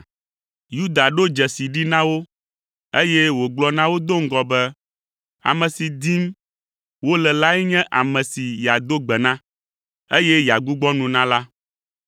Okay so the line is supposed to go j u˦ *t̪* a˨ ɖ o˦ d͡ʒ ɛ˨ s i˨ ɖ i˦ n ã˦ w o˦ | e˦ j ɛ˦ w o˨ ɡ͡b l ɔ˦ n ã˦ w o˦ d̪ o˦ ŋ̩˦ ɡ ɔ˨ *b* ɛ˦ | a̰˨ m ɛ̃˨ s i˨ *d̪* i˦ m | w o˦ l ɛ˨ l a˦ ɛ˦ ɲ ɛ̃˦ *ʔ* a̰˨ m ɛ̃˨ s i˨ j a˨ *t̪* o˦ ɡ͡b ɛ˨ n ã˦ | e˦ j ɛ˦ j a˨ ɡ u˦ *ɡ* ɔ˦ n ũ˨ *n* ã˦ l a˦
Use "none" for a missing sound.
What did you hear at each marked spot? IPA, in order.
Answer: d̪, b, d̪, ʔ, d̪, ɡ͡b, n

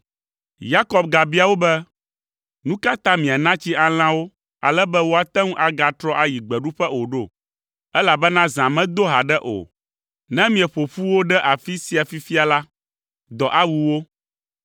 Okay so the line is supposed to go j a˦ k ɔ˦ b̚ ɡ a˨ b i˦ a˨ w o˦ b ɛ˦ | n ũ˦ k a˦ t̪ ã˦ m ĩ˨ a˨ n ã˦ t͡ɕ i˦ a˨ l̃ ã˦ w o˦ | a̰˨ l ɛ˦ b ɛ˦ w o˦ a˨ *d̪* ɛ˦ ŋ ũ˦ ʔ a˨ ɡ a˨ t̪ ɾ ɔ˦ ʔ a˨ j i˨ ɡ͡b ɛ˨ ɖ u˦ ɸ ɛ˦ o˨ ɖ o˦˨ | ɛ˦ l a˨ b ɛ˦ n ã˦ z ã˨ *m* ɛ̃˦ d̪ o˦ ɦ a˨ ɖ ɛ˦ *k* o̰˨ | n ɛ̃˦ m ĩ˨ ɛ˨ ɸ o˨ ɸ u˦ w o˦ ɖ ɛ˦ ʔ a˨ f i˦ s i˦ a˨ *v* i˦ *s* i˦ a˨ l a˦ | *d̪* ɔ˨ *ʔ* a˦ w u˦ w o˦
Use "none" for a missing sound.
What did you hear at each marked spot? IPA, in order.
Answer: t̪, m, ʔ, f, f, d̪, ʔ

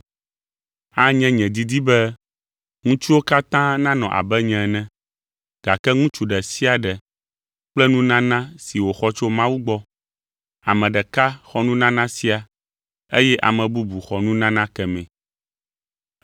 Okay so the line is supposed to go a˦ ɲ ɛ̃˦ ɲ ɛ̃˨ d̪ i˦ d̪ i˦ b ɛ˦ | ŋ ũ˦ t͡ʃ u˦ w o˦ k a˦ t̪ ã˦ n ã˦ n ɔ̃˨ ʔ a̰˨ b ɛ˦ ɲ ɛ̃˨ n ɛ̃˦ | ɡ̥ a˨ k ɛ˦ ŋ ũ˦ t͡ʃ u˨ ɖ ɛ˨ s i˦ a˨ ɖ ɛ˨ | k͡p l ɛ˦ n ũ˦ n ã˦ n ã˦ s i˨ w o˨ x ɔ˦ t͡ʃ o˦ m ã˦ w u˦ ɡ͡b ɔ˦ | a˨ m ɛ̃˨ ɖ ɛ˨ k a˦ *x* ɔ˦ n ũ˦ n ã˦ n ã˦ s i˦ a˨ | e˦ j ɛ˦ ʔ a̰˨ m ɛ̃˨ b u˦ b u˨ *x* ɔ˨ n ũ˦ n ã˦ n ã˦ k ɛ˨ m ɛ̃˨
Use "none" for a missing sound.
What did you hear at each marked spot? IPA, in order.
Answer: x, x

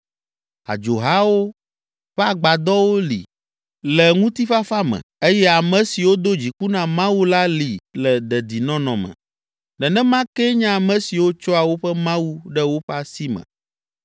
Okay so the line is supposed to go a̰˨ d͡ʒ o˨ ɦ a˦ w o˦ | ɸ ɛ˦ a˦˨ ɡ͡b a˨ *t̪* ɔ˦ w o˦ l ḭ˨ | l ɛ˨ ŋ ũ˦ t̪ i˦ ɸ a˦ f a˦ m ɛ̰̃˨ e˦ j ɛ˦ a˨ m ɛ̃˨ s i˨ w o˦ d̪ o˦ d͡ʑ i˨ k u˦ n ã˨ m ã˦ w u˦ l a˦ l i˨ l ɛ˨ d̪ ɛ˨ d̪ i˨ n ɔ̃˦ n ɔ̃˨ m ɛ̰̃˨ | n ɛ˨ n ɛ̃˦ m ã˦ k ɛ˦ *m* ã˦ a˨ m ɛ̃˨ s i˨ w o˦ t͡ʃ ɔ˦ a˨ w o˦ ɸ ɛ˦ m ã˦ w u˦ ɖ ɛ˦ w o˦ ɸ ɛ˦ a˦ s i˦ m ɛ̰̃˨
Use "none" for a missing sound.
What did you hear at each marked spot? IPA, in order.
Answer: d̪, ɲ

